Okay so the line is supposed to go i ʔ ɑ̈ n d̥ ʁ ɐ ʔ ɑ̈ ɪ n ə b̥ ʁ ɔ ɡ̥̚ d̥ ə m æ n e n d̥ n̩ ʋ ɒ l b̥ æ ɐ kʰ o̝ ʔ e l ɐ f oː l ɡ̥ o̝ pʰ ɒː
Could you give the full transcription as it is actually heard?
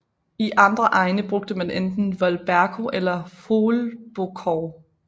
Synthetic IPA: i ʔ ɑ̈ n d̥ ʁ ɐ ʔ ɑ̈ ɪ n ə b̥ ʁ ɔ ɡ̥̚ d̥ ə m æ n e n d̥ n̩ ʋ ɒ l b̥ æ ɐ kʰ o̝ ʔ e l ɐ f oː l b̥ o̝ kʰ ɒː